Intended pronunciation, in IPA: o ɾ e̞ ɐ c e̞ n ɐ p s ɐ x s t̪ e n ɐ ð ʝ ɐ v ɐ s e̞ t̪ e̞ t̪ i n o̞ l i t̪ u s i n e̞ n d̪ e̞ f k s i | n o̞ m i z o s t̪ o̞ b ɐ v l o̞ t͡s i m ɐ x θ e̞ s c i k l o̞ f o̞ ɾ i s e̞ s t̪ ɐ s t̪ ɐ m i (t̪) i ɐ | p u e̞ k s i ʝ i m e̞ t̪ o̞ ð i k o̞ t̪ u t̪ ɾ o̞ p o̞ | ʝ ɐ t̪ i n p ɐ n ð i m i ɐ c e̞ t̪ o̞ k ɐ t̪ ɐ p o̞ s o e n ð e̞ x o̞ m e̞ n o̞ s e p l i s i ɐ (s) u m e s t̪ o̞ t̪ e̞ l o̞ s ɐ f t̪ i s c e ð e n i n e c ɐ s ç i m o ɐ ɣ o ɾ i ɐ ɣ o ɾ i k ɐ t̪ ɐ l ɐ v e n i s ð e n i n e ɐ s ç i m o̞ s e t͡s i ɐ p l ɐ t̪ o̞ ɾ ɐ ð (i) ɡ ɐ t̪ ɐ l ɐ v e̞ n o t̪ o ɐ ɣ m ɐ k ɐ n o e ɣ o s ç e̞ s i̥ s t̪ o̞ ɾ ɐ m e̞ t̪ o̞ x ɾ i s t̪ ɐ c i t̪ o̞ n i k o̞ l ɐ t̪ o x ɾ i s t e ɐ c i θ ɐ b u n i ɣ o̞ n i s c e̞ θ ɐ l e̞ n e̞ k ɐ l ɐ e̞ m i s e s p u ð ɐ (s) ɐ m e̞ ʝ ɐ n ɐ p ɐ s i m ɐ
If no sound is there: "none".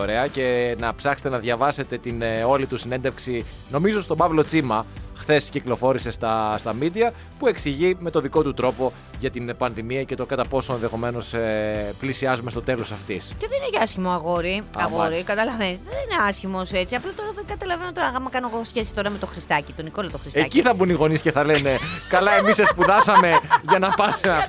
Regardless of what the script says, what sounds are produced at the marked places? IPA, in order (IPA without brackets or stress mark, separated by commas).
d̪, z, e, s